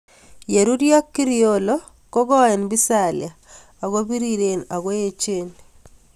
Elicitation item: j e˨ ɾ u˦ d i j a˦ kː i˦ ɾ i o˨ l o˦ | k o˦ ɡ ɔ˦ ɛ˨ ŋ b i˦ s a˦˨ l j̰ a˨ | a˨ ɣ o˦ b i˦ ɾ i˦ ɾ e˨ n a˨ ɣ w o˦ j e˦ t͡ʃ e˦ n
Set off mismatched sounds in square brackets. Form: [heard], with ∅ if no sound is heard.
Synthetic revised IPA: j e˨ ɾ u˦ d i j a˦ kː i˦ ɾ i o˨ l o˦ | k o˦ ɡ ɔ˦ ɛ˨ [n] b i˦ s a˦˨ l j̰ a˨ | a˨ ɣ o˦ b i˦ ɾ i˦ ɾ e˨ n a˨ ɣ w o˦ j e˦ t͡ʃ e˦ n